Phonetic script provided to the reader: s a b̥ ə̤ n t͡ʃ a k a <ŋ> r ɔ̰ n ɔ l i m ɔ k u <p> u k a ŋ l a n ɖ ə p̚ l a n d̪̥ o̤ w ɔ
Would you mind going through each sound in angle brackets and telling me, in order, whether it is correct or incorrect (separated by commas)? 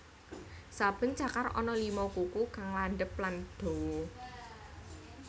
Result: incorrect, incorrect